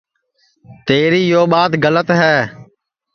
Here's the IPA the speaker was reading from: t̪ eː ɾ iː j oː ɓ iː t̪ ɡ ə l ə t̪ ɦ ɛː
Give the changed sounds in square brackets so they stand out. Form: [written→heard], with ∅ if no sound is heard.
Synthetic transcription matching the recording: t̪ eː ɾ iː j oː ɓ [iː→aː] t̪ ɡ ə l ə t̪ ɦ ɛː

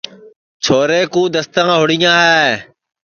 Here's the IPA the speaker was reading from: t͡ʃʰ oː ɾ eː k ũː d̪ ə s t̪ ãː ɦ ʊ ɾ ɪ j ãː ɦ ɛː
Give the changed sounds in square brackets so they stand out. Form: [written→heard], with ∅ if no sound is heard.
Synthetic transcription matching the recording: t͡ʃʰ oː ɾ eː k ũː d̪ ə s t̪ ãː ɦ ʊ [ɾ→ɽ] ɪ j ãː ɦ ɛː

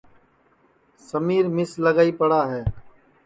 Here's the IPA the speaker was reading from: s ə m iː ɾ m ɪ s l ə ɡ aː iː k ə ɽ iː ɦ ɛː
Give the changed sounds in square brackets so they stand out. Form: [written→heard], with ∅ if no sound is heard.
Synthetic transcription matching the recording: s ə m iː ɾ m ɪ s l ə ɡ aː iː [k→p] ə ɽ [iː→aː] ɦ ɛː

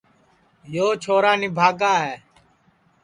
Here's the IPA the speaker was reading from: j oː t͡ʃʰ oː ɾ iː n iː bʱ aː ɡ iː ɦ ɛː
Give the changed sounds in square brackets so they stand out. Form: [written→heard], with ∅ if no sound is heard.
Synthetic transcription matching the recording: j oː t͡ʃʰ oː ɾ [iː→aː] n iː bʱ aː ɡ [iː→aː] ɦ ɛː

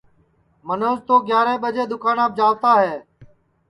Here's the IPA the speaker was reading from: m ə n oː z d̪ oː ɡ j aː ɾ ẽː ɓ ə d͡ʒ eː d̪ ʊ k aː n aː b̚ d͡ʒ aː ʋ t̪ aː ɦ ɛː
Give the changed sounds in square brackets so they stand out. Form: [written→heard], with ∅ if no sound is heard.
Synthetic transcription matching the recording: m ə n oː z [d̪→t̪] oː ɡ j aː ɾ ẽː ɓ ə d͡ʒ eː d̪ ʊ k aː n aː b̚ d͡ʒ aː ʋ t̪ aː ɦ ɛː

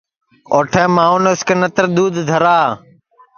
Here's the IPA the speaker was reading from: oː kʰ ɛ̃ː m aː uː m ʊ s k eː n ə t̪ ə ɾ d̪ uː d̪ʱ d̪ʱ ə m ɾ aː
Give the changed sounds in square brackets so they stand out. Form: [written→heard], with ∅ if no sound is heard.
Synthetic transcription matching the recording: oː [kʰ→ʈʰ] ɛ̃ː m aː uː [m→n] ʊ s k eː n ə t̪ ə ɾ d̪ uː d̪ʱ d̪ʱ ə [m→∅] ɾ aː

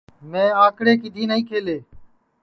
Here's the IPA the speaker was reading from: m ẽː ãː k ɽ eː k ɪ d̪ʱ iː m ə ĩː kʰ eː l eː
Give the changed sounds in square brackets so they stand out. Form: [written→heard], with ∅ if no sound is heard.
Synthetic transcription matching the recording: m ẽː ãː k ɽ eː k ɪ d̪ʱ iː [m→n] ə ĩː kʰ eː l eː

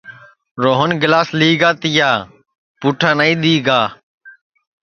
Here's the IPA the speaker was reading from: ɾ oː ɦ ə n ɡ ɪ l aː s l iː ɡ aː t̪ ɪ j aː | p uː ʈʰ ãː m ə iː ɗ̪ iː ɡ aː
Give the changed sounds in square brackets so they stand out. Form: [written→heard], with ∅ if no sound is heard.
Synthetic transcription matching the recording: ɾ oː ɦ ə n ɡ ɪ l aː s l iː ɡ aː t̪ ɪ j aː | p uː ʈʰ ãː [m→n] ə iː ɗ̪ iː ɡ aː

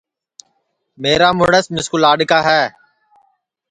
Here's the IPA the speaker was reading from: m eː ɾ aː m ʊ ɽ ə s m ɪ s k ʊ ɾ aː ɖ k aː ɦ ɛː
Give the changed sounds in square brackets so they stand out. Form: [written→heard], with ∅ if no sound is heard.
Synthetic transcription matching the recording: m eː ɾ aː m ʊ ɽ ə s m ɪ s k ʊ [ɾ→l] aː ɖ k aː ɦ ɛː

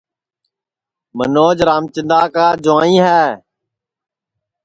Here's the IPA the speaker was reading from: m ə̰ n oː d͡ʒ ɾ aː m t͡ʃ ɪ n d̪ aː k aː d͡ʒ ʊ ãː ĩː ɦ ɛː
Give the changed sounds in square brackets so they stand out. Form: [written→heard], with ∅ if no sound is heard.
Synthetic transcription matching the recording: m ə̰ n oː d͡ʒ ɾ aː m t͡ʃ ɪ n d̪ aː k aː d͡ʒ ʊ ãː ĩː ɦ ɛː

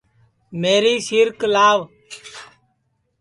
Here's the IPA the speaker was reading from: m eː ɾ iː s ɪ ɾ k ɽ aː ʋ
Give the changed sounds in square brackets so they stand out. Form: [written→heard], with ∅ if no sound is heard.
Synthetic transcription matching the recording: m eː ɾ iː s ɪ ɾ k [ɽ→l] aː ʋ

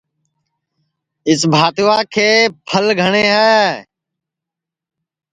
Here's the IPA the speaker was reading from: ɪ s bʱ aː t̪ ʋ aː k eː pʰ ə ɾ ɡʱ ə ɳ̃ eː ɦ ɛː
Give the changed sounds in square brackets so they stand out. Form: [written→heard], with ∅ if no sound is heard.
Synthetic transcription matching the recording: ɪ s bʱ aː t̪ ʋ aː [k→kʰ] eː pʰ ə [ɾ→l] ɡʱ ə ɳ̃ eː ɦ ɛː

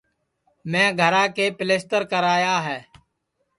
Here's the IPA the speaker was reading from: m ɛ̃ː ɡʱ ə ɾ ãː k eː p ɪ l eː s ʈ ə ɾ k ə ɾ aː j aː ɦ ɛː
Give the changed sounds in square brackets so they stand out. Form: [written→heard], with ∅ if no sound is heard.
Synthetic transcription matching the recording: m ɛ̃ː ɡʱ ə ɾ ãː k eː p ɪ l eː s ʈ ə ɾ k ə ɾ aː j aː ɦ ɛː

